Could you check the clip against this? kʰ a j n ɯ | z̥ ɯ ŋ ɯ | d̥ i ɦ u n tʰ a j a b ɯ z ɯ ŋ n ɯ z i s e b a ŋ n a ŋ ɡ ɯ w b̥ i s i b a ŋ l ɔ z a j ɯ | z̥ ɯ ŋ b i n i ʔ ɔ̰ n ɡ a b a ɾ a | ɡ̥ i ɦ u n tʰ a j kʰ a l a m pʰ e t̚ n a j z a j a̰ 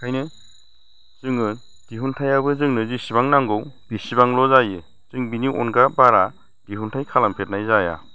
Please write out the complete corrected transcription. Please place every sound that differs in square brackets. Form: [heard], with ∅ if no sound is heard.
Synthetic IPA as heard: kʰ a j n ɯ | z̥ ɯ ŋ ɯ | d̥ i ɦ u n tʰ a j a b ɯ z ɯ ŋ n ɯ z i s [i] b a ŋ n a ŋ ɡ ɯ w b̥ i s i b a ŋ l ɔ z a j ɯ | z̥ ɯ ŋ b i n i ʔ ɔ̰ n ɡ a b a ɾ a | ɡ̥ i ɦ u n tʰ a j kʰ a l a m pʰ e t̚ n a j z a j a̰